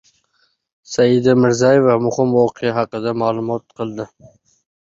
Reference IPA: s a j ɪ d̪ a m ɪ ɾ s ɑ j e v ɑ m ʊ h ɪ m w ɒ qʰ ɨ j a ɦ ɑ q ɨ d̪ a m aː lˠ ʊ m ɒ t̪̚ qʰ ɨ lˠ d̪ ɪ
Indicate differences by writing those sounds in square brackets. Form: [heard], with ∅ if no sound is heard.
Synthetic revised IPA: s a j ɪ d̪ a m ɪ ɾ [z] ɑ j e v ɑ m ʊ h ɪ m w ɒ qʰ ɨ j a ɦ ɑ q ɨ d̪ a m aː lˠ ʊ m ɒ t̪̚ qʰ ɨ lˠ d̪ ɪ